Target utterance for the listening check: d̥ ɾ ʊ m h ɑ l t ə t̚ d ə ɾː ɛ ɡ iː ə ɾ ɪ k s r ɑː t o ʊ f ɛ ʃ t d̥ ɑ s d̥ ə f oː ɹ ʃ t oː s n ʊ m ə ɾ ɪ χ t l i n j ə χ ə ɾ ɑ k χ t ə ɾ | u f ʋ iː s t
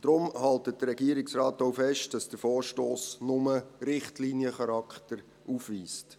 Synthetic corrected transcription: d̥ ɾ ʊ m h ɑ l t ə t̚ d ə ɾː ɛ ɡ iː ə ɾ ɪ k s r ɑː t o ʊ f ɛ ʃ t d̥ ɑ s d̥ ə f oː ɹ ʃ t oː s n ʊ m ə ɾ ɪ χ t l i n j ə χ ɑ ɾ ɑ k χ t ə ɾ | u f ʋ iː s t